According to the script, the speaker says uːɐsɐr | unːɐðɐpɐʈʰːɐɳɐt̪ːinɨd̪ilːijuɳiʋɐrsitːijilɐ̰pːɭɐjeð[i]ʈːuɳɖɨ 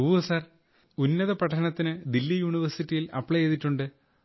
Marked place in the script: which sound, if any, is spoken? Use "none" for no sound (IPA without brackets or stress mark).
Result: i